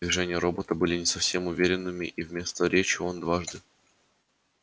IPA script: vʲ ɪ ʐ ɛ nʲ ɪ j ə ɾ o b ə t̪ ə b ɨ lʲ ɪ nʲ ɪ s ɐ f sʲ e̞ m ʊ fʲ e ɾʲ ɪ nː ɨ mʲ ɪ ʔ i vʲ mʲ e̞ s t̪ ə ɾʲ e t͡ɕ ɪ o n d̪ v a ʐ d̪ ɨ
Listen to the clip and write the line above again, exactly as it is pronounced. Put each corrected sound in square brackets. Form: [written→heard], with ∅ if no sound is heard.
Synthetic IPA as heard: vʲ ɪ ʐ ɛ nʲ ɪ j ə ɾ o b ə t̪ ə b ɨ lʲ ɪ nʲ ɪ s ɐ f sʲ e̞ m ʊ [fʲ→vʲ] e ɾʲ ɪ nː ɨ mʲ ɪ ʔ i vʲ mʲ e̞ s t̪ ə ɾʲ e t͡ɕ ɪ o n d̪ v a ʐ d̪ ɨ

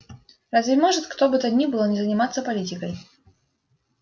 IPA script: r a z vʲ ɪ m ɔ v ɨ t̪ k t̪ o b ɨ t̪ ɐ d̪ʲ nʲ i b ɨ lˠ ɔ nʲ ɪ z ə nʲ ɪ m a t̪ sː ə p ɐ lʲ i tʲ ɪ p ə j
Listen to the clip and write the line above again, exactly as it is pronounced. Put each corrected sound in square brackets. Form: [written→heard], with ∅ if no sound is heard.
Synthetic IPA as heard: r a z vʲ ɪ m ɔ [v→ʐ] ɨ t̪ k t̪ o b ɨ t̪ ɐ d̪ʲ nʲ i b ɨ lˠ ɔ nʲ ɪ z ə nʲ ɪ m a t̪ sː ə p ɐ lʲ i tʲ ɪ [p→k] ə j

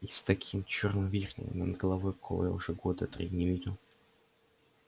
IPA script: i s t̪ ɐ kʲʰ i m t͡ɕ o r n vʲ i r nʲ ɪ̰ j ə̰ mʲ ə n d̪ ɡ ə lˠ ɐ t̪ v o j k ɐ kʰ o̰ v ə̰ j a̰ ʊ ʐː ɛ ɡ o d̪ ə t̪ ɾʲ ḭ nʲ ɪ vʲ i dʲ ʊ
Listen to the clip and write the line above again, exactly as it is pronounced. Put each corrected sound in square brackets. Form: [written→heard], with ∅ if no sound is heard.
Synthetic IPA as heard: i s t̪ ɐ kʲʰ i m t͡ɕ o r n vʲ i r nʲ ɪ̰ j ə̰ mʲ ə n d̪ ɡ ə lˠ ɐ [t̪→∅] v o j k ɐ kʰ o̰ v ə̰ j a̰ ʊ [ʐː→ʐ] ɛ ɡ o d̪ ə t̪ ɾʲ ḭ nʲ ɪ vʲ i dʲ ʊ

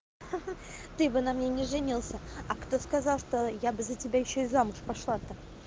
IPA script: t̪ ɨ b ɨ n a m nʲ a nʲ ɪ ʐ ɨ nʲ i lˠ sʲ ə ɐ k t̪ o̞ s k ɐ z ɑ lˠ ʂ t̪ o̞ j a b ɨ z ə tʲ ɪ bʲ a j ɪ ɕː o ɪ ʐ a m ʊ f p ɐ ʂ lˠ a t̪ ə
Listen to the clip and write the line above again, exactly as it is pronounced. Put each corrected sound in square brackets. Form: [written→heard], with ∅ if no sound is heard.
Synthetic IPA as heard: t̪ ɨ b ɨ n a m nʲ [a→e] nʲ ɪ ʐ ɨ nʲ i lˠ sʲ ə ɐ k t̪ o̞ s k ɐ z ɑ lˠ ʂ t̪ o̞ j a b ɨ z ə tʲ ɪ bʲ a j ɪ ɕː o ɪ [ʐ→z] a m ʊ [f→ʂ] p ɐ ʂ lˠ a t̪ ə

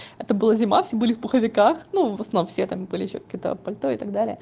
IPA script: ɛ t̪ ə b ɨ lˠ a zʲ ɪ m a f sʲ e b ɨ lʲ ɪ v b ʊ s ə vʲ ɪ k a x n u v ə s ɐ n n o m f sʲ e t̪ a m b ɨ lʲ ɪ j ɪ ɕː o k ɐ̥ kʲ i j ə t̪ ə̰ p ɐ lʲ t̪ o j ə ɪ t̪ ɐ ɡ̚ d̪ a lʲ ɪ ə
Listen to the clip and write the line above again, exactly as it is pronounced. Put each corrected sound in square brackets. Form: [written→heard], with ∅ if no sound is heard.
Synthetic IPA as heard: ɛ t̪ ə b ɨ lˠ a zʲ ɪ m a f sʲ e b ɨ lʲ ɪ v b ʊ [s→x] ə vʲ ɪ k a x n u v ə s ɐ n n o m f sʲ e t̪ a m b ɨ lʲ ɪ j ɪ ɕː o k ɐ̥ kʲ i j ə t̪ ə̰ p ɐ lʲ t̪ o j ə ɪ t̪ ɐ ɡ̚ d̪ a lʲ ɪ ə

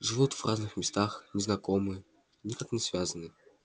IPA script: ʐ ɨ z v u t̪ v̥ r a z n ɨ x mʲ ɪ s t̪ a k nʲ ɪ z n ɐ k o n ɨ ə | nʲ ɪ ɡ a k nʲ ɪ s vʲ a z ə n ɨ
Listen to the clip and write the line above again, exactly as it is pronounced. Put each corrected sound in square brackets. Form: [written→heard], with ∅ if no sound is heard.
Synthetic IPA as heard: ʐ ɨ [z→∅] v u t̪ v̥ r a z n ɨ x mʲ ɪ s t̪ a [k→x] nʲ ɪ z n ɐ k o [n→m] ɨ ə | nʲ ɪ [ɡ→k] a k nʲ ɪ s vʲ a z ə n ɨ

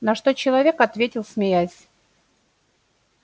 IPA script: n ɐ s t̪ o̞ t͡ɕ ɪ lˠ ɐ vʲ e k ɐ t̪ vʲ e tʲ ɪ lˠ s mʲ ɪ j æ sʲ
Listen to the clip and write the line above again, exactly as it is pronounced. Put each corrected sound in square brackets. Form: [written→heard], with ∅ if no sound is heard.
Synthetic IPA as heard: n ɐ [s→ʂ] t̪ o̞ t͡ɕ ɪ lˠ ɐ vʲ e k ɐ t̪ vʲ e tʲ ɪ lˠ s mʲ ɪ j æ sʲ

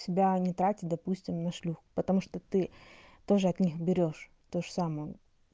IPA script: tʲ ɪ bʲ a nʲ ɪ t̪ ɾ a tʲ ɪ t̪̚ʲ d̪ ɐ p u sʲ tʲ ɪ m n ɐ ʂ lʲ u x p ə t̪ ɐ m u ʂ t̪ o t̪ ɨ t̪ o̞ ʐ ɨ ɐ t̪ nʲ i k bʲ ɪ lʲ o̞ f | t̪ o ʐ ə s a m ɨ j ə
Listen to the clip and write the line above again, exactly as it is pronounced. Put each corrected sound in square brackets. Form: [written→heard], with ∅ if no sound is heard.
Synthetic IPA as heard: [tʲ→sʲ] ɪ bʲ a nʲ ɪ t̪ ɾ a tʲ ɪ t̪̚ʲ d̪ ɐ p u sʲ tʲ ɪ m n ɐ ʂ lʲ u x p ə t̪ ɐ m u ʂ t̪ o t̪ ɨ t̪ o̞ ʐ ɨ ɐ t̪ nʲ i [k→x] bʲ ɪ [lʲ→ɾʲ] o̞ [f→ʂ] | t̪ o ʐ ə s a m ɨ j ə

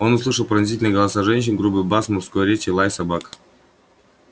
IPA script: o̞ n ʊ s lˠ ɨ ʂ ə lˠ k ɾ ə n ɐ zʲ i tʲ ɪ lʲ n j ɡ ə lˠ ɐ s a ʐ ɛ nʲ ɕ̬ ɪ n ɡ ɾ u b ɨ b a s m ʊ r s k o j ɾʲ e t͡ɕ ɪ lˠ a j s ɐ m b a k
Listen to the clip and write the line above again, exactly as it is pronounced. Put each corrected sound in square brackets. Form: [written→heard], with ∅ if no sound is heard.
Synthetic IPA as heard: o̞ n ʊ s lˠ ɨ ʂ ə lˠ [k→p] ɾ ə n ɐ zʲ i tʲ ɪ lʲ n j ɡ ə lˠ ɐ s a ʐ ɛ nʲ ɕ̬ ɪ n ɡ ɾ u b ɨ b a s m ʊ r s k o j ɾʲ e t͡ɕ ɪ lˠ a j s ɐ [m→∅] b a k

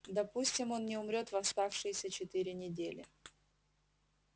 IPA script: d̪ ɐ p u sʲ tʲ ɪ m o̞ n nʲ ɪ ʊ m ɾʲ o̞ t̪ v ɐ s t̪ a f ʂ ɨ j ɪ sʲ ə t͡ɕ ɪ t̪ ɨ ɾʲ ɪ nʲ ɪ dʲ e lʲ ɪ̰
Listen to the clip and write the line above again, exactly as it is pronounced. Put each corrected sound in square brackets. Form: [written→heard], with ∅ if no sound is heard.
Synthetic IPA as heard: d̪ ɐ p u sʲ tʲ ɪ m o̞ n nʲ ɪ ʊ m ɾʲ o̞ t̪ v ɐ s t̪ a f ʂ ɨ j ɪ sʲ ə t͡ɕ ɪ t̪ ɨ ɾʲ ɪ nʲ ɪ dʲ e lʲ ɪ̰

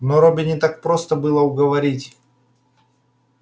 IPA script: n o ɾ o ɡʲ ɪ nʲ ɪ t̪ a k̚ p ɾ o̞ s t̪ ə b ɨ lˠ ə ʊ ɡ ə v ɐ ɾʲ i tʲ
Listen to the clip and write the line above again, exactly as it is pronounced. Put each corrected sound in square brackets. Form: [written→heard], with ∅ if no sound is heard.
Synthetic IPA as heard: n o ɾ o [ɡʲ→bʲ] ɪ nʲ ɪ t̪ a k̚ p ɾ o̞ s t̪ ə b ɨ lˠ ə ʊ ɡ ə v ɐ ɾʲ i tʲ

